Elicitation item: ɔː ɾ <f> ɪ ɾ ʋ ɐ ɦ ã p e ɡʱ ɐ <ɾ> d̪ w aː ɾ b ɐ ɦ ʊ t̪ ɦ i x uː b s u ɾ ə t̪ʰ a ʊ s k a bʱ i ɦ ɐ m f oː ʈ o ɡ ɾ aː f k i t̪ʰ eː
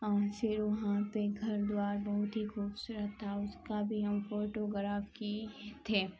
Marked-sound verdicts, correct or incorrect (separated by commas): correct, correct